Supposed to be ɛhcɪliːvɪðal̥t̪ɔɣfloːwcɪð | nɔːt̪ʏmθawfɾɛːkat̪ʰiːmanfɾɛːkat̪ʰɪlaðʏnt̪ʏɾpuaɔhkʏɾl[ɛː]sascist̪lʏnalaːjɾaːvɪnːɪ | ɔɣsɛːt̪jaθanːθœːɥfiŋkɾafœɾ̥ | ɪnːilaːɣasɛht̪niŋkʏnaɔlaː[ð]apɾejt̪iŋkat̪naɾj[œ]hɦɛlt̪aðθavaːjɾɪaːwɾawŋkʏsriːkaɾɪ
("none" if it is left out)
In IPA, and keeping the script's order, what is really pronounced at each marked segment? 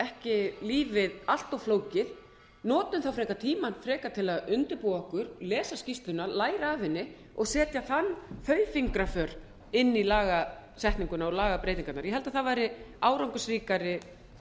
ɛː, ɣ, ɛ

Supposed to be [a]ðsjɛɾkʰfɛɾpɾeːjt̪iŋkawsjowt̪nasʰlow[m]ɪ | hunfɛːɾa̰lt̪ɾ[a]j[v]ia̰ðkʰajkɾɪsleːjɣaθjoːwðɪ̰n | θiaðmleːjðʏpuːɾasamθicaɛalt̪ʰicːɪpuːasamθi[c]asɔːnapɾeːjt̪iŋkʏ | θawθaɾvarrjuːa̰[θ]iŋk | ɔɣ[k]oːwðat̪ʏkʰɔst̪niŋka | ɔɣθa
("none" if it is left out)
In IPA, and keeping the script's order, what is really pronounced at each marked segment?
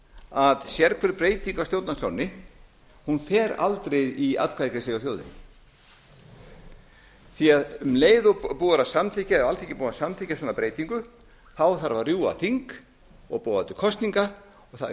a, n, e, ð, c, θ, p

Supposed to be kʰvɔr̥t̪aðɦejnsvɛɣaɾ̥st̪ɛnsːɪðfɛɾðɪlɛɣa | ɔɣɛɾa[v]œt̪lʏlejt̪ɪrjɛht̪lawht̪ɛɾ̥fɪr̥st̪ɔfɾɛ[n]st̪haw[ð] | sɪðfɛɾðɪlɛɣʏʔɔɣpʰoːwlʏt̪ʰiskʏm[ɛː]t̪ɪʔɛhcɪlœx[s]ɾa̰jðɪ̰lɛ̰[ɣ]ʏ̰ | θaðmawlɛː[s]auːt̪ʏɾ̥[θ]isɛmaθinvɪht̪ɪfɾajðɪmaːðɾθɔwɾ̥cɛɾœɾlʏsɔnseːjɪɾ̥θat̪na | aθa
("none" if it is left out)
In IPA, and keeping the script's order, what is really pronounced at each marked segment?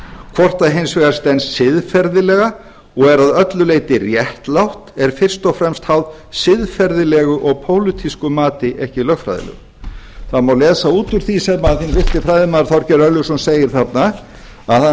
ð, m, ð, aː, f, ɣ, s, θ

